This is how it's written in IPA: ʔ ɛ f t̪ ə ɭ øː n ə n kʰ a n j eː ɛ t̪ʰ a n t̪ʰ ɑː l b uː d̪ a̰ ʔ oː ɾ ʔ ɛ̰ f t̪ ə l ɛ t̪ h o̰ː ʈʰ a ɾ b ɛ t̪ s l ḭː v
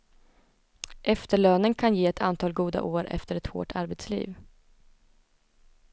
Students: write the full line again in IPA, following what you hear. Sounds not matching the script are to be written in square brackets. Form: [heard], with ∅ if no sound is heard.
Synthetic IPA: ʔ ɛ f t̪ ə ɭ øː n ə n kʰ a n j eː ɛ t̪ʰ a n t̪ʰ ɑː l [ɡ] uː d̪ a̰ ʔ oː ɾ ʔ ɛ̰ f t̪ ə [ɾ] ɛ t̪ h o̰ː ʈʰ a ɾ b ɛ t̪ s l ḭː v